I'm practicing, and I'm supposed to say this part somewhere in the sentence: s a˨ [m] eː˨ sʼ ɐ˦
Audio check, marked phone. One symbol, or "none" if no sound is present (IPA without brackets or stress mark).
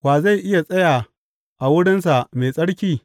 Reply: m